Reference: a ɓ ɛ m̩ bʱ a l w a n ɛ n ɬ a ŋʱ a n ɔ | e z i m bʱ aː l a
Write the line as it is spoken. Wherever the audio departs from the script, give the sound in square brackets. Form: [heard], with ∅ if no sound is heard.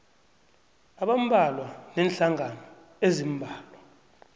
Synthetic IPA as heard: a ɓ [a] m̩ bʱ a l w a n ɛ n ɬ a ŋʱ a n ɔ | e z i m bʱ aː l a